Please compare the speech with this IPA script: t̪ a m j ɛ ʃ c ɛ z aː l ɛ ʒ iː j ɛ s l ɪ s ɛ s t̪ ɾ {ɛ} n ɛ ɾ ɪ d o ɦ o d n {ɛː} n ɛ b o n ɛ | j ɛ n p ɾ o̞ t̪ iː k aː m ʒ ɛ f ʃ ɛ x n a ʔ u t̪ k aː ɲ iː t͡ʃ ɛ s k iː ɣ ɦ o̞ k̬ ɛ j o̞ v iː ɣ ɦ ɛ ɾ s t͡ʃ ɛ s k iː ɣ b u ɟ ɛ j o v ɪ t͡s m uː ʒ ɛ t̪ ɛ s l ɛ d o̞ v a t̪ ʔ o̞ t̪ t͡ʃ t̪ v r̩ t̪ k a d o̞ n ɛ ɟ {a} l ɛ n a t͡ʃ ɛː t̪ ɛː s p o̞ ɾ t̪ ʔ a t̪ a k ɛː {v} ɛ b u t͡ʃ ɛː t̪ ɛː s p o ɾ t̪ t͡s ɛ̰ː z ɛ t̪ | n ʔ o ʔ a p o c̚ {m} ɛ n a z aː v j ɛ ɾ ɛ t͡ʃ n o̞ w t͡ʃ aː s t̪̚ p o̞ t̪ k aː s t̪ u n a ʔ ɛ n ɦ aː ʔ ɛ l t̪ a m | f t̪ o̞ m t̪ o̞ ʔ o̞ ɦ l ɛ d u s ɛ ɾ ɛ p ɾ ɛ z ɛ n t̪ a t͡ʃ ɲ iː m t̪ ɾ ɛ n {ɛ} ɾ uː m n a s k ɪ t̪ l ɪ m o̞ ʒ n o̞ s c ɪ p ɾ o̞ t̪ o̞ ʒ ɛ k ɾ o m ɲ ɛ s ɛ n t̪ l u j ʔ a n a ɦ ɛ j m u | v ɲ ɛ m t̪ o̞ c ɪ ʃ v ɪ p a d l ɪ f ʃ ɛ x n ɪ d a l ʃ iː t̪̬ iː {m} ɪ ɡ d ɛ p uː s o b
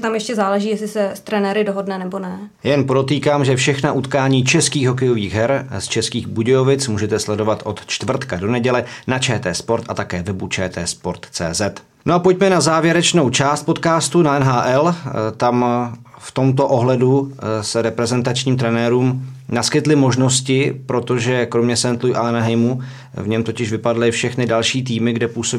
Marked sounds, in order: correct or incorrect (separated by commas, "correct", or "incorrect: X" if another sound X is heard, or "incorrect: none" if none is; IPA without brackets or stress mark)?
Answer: correct, incorrect: ɛ, incorrect: ɛ, correct, correct, incorrect: ɛː, correct